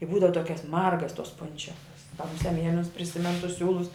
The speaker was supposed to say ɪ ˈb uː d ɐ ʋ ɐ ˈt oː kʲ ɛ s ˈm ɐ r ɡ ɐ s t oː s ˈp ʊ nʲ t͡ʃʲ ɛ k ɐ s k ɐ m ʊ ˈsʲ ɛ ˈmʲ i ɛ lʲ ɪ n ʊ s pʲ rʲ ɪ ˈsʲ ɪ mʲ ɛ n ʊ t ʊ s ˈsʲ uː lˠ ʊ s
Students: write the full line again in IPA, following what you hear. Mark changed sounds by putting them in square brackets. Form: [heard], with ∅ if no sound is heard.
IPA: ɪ ˈb uː d ɐ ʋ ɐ ˈt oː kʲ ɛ s ˈm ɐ r ɡ ɐ s t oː s ˈp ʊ nʲ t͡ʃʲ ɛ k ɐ s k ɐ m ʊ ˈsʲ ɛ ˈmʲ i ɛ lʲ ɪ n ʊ s pʲ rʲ ɪ ˈsʲ ɪ mʲ ɛ n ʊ t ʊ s ˈsʲ uː lˠ ʊ s